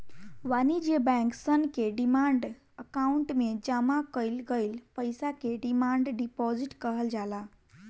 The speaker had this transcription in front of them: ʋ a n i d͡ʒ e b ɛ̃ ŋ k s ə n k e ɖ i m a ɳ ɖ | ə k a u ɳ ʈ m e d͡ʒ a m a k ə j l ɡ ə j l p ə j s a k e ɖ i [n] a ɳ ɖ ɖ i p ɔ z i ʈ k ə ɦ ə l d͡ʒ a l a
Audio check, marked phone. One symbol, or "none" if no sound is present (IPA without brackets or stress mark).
m